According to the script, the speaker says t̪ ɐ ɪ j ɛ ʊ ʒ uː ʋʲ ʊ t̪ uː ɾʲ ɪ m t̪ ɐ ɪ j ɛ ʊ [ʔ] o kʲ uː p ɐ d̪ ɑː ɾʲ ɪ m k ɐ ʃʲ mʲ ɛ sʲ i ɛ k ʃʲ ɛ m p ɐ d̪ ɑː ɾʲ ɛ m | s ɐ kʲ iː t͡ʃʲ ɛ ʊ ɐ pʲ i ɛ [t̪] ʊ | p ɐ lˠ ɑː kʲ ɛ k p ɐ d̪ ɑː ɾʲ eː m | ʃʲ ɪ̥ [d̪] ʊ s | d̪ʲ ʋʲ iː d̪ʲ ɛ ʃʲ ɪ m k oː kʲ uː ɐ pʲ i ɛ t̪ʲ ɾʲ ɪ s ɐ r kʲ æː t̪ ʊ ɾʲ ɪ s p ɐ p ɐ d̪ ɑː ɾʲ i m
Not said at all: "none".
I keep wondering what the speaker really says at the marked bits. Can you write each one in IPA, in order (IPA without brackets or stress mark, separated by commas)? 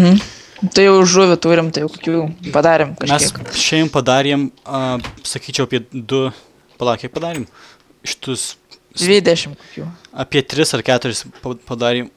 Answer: k, d̪, t̪